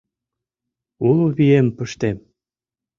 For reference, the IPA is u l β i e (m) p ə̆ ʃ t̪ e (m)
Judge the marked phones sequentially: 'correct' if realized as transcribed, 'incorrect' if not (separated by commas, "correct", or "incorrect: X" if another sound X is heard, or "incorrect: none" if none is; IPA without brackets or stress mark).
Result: correct, correct